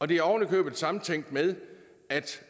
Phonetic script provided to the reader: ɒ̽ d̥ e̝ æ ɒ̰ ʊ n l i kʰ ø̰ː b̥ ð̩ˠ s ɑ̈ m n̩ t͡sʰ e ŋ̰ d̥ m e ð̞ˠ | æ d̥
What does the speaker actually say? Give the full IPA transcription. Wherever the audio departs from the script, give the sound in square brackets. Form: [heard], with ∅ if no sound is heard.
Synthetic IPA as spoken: ɒ̽ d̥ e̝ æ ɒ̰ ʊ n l i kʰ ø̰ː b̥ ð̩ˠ s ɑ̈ m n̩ t͡sʰ e ŋ̰ d̥ m e ð̞ˠ | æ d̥